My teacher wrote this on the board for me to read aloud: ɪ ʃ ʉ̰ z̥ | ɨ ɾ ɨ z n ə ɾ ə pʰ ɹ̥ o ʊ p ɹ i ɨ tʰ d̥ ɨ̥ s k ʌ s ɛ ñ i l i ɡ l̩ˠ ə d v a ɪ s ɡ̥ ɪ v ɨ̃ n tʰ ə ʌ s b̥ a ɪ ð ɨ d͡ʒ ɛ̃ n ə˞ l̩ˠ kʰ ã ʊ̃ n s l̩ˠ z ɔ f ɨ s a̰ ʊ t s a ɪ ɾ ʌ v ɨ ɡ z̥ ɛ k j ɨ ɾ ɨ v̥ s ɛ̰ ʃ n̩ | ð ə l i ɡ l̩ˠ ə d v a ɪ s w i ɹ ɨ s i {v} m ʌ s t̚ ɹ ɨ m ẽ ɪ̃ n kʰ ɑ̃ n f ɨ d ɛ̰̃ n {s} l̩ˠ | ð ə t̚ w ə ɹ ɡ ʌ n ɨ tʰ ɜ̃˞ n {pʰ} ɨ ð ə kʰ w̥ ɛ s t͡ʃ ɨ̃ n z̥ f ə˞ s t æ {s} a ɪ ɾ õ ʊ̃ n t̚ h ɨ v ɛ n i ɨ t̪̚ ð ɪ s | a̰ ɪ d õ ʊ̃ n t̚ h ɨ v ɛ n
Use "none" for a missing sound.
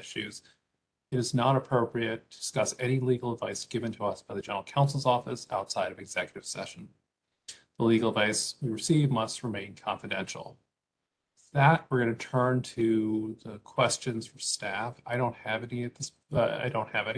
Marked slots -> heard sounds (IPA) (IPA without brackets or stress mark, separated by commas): v, ʃ, tʰ, f